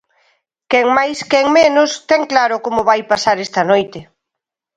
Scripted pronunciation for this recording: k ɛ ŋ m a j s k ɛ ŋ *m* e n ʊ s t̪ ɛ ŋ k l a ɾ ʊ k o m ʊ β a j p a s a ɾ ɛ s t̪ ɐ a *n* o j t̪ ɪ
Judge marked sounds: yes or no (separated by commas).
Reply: yes, yes